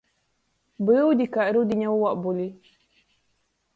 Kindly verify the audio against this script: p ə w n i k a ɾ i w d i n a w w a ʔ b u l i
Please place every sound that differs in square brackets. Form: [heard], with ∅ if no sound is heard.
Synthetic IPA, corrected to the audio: [b] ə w [d] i k a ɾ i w d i [ɲ] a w w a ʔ b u l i